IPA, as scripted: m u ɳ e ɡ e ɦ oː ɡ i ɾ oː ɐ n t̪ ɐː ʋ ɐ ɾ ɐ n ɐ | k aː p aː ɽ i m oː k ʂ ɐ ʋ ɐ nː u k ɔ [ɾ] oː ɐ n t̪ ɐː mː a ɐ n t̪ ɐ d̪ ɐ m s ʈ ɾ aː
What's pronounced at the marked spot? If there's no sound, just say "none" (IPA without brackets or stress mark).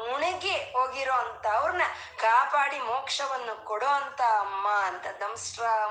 ɽ